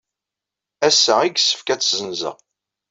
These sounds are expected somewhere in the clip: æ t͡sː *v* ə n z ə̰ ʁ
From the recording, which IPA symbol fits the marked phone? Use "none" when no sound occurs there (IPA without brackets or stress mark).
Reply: z